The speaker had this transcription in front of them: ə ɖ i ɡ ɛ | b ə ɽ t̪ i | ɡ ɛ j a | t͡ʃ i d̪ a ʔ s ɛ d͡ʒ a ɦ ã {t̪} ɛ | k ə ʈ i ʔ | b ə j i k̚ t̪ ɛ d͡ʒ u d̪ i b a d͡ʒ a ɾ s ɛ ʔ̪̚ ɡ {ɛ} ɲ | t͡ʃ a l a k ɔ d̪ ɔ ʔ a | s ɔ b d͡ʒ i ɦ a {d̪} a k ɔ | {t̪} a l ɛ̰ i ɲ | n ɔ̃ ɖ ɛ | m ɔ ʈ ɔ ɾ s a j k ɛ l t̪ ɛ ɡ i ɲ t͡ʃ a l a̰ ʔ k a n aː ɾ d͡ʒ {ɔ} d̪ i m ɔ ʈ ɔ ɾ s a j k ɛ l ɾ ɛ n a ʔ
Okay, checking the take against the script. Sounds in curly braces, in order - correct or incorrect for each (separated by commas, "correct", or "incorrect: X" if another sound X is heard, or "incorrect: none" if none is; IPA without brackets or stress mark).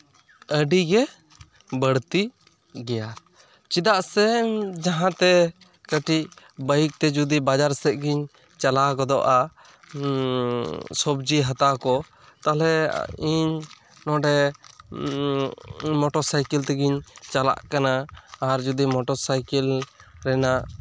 correct, incorrect: i, incorrect: t̪, correct, incorrect: u